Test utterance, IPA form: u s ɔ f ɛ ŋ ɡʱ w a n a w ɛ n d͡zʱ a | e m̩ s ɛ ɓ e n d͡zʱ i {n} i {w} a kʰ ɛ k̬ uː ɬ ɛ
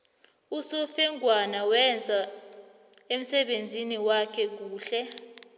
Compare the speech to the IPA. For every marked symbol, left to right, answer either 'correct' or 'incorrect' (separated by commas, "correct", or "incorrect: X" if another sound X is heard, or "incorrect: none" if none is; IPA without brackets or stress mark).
correct, correct